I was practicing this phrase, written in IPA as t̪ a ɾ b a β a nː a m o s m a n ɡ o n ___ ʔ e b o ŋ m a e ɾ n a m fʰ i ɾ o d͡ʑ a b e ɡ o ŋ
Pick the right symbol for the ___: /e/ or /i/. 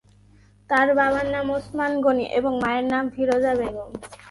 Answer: i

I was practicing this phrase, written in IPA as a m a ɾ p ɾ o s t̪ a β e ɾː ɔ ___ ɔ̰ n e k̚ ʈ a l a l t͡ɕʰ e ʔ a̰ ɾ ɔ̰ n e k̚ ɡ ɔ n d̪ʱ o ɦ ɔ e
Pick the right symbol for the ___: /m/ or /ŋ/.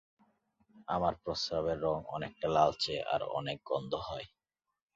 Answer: ŋ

